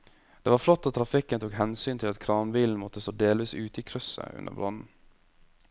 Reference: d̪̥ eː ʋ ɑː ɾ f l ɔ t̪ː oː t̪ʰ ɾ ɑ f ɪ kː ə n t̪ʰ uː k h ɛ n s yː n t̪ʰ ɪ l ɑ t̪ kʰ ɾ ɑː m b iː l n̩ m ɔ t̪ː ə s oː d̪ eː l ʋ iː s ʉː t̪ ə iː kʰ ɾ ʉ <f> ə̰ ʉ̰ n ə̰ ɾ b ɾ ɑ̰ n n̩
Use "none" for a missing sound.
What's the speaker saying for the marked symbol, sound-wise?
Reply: s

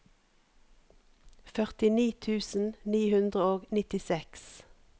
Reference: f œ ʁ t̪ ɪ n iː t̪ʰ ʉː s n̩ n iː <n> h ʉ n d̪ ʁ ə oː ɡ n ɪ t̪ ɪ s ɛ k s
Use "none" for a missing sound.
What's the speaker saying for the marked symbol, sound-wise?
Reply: none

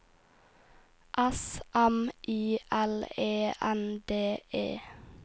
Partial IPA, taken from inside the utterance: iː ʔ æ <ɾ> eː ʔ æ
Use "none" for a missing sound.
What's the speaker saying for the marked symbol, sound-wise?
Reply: l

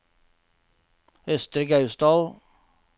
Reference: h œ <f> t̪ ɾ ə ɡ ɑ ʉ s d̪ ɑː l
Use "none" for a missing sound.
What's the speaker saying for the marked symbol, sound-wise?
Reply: s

